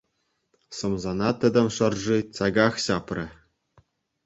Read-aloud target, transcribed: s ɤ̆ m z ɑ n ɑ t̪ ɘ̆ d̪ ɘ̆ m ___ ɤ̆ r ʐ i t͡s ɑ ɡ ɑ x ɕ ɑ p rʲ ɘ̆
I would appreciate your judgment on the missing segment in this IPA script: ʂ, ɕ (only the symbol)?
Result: ʂ